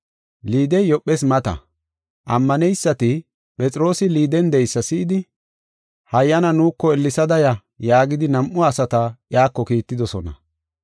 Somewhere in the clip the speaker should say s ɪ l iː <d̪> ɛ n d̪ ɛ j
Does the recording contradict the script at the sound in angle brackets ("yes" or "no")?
no